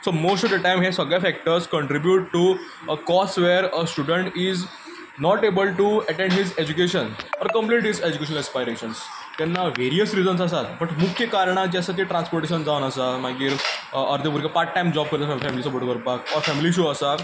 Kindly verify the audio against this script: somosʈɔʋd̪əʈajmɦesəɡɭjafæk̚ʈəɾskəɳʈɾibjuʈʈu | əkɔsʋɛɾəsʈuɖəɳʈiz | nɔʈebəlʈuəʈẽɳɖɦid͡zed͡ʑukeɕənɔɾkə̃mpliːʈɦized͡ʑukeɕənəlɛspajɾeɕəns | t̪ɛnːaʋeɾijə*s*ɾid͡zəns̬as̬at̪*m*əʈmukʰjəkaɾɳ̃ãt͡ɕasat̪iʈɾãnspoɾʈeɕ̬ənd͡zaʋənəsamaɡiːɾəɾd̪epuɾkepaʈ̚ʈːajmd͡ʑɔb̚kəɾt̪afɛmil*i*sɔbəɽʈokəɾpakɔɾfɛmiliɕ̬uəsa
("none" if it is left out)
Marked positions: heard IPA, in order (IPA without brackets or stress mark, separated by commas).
s, b, i